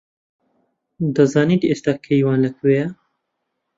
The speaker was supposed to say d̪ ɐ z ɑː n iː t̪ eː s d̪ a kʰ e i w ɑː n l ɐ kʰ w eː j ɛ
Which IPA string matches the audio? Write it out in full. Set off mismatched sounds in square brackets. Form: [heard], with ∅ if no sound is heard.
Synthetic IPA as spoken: d̪ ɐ z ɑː n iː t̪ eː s [t̪] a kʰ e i w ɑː n l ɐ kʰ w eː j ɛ